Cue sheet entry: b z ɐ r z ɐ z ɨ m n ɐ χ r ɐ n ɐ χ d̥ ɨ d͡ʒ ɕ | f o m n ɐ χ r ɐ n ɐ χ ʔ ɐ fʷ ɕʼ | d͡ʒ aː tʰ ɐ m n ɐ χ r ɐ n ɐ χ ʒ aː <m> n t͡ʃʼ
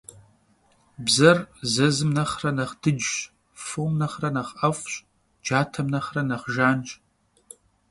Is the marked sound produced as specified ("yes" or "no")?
no